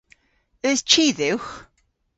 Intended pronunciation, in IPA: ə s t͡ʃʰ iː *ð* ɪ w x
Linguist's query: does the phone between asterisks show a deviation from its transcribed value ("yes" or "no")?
no